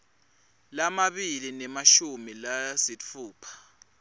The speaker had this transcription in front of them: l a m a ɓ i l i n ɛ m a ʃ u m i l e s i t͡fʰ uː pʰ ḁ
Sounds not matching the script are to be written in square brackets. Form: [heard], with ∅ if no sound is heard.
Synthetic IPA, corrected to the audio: l a m a ɓ i l i n ɛ m a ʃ u m i l [a] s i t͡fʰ uː pʰ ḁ